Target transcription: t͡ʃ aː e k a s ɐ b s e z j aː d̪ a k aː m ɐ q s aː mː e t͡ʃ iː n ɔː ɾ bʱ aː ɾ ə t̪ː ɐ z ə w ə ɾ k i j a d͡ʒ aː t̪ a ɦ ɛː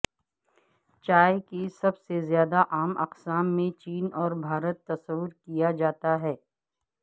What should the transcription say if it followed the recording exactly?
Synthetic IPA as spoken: t͡ʃ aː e k i s ɐ b s e z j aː d̪ a ʔ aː m ɐ q s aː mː ẽ t͡ʃ iː n ɔː ɾ bʱ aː ɾ ə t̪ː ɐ s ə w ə ɾ k i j a d͡ʒ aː t̪ a ɦ ɛː